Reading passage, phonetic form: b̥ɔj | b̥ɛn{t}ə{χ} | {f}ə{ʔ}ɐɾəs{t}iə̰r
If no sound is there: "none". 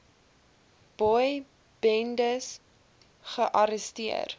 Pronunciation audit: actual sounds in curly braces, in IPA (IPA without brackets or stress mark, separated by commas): d, s, χ, ʔ, t